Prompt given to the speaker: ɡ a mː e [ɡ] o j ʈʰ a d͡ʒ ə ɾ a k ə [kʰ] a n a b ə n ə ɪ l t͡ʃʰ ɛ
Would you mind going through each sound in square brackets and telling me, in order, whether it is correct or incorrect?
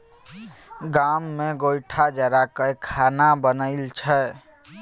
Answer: correct, correct

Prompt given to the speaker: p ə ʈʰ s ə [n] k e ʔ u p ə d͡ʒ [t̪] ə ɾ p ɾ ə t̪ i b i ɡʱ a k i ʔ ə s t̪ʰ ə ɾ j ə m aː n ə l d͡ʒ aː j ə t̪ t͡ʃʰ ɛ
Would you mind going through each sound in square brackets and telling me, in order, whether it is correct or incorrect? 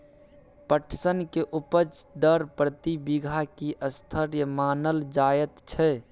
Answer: correct, incorrect: d̪

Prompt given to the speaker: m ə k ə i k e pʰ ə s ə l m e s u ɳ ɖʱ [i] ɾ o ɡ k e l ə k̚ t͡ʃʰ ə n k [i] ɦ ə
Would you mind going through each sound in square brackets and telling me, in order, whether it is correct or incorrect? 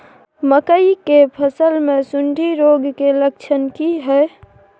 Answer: correct, correct

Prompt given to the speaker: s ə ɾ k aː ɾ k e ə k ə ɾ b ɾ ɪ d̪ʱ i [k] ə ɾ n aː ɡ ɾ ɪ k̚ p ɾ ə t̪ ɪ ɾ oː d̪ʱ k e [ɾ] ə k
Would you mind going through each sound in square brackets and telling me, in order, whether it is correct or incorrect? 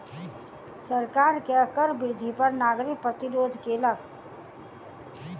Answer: incorrect: p, incorrect: l

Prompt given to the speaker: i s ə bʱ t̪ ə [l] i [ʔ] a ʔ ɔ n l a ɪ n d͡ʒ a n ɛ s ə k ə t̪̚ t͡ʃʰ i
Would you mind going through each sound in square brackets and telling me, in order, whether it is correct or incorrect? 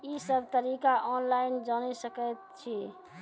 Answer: incorrect: ɾ, incorrect: k

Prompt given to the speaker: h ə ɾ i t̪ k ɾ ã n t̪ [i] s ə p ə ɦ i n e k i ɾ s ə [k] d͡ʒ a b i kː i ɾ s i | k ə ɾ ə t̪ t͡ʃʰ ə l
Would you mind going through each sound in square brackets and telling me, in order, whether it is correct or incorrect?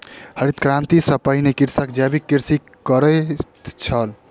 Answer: correct, correct

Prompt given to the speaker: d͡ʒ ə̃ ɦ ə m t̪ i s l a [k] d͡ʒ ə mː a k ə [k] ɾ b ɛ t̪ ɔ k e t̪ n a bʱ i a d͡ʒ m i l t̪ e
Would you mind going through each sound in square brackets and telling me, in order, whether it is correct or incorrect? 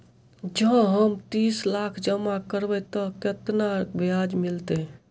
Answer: incorrect: kʰ, incorrect: none

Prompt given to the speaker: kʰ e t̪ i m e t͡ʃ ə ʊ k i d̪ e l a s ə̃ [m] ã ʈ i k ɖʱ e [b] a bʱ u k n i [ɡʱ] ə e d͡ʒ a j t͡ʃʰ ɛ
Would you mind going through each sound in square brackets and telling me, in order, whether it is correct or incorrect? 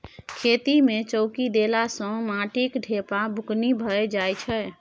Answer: correct, incorrect: p, incorrect: bʱ

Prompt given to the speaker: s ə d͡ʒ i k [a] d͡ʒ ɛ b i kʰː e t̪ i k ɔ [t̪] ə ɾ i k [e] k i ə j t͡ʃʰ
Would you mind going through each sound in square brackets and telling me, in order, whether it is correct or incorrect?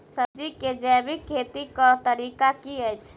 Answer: incorrect: e, correct, incorrect: a

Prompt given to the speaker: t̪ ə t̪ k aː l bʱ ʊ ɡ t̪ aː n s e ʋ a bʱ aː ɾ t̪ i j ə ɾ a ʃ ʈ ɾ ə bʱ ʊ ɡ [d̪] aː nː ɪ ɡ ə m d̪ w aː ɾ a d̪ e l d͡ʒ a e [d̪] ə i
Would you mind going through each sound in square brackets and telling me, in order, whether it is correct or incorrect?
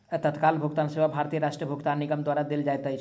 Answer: incorrect: t̪, incorrect: t̪

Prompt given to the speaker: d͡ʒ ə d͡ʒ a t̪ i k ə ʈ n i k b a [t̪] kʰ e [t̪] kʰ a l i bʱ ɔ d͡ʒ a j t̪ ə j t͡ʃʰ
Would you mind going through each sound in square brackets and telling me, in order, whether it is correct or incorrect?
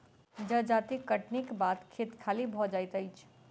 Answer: correct, correct

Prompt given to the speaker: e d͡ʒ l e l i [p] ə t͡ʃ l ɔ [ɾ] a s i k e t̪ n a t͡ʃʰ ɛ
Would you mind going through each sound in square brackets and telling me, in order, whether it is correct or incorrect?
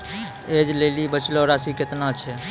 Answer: incorrect: b, correct

